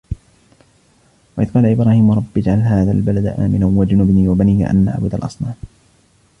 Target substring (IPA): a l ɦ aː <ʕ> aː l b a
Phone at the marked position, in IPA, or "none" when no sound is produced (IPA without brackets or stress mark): ð